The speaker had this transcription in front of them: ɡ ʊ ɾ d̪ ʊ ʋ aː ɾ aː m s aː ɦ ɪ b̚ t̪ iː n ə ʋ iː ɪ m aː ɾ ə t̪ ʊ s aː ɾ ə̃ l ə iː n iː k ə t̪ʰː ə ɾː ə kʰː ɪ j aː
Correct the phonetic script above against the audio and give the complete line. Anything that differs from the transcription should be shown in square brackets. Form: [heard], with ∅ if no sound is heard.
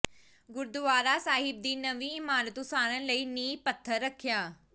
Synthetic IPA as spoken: ɡ ʊ ɾ d̪ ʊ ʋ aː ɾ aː [∅] s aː ɦ ɪ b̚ [d̪] iː n ə ʋ iː ɪ m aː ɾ ə t̪ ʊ s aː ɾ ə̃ l ə iː n iː [p] ə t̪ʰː ə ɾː ə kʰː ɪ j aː